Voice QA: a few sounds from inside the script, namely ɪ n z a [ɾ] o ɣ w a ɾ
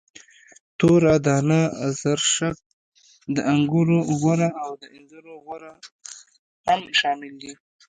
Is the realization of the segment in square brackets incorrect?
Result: no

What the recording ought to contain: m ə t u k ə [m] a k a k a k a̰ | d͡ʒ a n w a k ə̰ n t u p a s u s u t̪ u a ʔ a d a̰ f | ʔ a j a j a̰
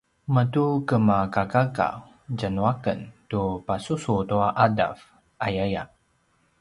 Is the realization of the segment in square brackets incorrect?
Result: no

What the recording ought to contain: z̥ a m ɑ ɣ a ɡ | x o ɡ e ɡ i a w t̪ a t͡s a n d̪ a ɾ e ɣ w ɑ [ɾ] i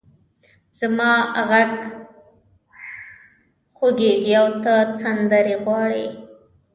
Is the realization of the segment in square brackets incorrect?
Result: yes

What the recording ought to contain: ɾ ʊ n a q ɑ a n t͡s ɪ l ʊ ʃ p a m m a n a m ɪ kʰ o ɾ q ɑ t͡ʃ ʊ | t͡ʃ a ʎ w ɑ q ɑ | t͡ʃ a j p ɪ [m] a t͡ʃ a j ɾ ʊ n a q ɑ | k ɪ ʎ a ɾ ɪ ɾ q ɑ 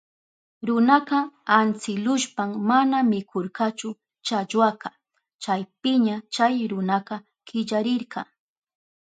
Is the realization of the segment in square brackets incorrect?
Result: yes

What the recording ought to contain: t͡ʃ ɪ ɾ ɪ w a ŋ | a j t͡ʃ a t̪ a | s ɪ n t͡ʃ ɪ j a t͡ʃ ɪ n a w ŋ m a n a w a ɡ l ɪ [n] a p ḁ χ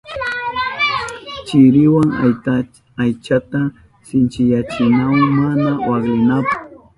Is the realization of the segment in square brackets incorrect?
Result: no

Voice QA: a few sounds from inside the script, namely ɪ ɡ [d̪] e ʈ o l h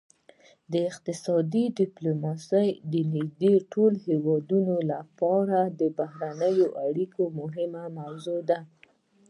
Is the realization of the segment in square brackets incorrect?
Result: no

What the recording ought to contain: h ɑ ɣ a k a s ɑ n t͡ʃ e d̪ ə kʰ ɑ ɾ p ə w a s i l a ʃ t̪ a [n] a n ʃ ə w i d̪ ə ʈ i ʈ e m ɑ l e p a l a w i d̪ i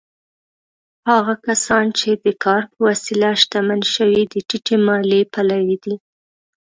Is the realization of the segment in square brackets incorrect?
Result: yes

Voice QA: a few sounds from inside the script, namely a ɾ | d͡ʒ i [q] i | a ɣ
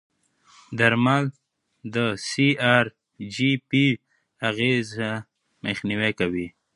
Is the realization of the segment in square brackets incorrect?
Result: yes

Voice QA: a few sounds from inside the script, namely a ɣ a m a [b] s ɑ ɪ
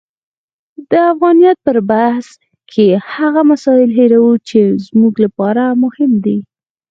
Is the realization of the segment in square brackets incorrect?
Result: yes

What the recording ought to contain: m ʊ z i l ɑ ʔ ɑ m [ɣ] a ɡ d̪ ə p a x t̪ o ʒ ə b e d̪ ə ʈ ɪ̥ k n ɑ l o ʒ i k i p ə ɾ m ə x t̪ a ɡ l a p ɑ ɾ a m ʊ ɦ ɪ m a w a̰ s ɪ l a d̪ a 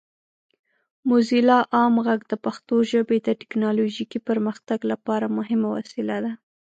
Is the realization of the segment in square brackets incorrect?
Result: no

